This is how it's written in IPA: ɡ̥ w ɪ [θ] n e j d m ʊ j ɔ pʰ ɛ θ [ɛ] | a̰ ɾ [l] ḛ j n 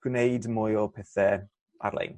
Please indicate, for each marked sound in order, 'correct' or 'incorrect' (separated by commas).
incorrect, correct, correct